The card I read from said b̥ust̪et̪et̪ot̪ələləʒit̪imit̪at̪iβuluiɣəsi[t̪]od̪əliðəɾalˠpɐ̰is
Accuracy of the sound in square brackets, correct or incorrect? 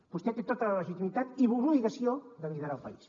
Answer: incorrect